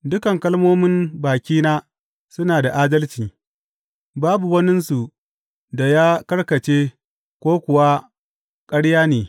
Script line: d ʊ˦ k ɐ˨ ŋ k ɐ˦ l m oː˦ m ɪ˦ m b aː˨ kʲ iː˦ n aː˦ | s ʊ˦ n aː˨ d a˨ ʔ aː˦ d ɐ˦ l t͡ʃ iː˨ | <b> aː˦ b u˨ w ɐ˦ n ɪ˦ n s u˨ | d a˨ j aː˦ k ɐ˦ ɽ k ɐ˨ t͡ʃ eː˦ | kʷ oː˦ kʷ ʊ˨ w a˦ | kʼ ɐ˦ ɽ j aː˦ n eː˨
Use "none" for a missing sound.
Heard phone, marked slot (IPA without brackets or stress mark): b